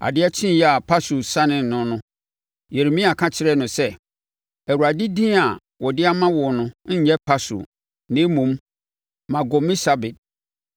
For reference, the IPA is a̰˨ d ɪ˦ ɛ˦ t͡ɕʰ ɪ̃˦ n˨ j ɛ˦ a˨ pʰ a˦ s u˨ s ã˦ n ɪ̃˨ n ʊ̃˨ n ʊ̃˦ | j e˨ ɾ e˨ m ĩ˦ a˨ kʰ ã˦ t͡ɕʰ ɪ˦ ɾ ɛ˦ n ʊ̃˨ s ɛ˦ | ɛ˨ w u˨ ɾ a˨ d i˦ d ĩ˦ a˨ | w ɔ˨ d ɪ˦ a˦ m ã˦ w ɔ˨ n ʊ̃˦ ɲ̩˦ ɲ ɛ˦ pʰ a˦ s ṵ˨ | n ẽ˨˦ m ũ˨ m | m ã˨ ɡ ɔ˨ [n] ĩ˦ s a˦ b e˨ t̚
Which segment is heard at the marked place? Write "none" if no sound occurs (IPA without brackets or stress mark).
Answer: m